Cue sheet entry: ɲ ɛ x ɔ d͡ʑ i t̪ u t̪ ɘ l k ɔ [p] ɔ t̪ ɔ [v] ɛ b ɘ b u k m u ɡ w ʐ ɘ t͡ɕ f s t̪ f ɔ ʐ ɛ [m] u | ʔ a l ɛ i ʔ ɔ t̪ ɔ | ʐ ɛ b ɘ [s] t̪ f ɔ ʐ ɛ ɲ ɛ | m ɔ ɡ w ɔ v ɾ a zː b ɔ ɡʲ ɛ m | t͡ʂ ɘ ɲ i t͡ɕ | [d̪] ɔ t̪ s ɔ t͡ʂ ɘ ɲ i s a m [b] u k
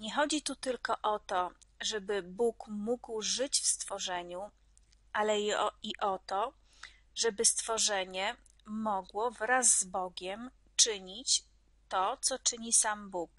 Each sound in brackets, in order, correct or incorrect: incorrect: ʔ, incorrect: ʐ, incorrect: ɲ, correct, incorrect: t̪, correct

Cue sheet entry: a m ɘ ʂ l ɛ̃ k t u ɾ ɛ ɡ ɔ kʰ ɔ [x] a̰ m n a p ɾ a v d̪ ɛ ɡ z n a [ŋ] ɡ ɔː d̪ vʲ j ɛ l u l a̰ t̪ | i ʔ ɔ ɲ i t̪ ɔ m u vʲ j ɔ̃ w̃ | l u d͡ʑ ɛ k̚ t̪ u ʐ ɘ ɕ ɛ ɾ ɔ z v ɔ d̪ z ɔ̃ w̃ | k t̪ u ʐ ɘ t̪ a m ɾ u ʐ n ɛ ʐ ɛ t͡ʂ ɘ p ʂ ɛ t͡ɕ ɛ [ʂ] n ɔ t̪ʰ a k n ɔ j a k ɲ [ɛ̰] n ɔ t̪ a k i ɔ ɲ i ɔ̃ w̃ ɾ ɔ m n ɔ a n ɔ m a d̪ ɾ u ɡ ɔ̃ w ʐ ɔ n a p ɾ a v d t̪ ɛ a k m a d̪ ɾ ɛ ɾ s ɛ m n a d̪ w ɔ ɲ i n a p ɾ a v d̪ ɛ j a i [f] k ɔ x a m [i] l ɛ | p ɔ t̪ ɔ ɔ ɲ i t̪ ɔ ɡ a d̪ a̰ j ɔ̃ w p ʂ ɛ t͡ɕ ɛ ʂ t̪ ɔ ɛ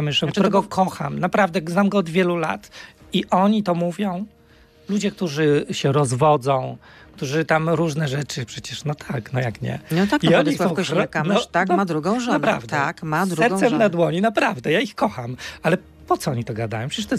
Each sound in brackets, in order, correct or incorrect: correct, incorrect: m, correct, correct, incorrect: x, incorrect: a

